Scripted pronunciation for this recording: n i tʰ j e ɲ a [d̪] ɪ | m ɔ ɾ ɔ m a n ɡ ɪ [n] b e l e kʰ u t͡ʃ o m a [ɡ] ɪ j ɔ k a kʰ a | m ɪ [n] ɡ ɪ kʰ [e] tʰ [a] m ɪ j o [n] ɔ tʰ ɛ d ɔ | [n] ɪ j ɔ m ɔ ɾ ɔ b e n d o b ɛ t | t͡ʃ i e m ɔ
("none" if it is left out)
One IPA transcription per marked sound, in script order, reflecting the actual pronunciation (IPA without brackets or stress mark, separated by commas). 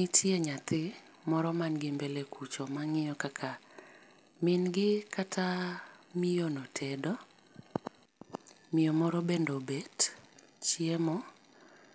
t̪, m, ŋ, n, a, a, n, m